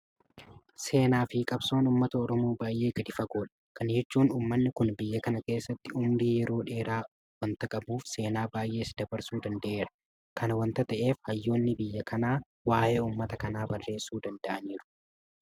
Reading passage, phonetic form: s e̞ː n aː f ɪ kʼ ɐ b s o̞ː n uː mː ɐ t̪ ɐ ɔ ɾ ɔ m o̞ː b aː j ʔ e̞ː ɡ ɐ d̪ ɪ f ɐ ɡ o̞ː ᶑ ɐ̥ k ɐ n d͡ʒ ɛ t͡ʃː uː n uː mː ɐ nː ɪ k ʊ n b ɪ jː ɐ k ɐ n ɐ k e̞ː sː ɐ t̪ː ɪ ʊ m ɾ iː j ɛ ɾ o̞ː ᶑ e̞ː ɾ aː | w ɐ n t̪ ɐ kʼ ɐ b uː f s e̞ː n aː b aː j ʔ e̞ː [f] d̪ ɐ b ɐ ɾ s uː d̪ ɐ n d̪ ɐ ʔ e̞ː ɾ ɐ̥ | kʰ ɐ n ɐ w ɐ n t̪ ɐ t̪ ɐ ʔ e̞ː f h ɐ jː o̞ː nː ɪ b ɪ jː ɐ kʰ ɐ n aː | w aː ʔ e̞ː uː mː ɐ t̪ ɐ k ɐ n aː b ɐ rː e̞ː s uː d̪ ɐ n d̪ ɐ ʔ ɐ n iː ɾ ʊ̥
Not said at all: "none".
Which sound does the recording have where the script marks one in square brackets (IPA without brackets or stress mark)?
s